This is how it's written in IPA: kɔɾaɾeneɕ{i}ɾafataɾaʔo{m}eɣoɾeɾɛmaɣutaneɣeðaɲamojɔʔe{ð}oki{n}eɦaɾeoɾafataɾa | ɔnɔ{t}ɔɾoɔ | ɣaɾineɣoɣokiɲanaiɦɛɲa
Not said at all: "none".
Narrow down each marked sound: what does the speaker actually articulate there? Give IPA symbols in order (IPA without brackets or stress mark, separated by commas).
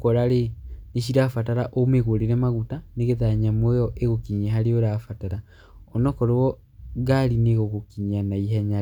i, m, ɣ, ɲ, k